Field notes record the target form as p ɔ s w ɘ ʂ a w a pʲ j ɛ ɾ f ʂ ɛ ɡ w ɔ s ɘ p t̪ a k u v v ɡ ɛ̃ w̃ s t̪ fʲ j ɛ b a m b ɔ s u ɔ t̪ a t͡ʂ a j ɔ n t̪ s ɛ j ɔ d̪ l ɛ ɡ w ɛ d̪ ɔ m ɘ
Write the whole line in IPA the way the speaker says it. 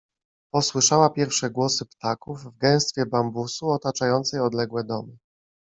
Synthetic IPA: p ɔ s w ɘ ʂ a w a pʲ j ɛ ɾ f ʂ ɛ ɡ w ɔ s ɘ p t̪ a k u v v ɡ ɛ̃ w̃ s t̪ fʲ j ɛ b a m b u s u ɔ t̪ a t͡ʂ a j ɔ n t̪ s ɛ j ɔ d̪ l ɛ ɡ w ɛ d̪ ɔ m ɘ